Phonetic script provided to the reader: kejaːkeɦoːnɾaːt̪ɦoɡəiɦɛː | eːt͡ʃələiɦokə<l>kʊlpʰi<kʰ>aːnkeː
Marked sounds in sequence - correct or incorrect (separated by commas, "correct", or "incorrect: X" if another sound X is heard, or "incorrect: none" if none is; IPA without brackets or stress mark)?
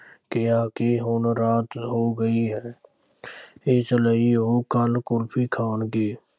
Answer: correct, correct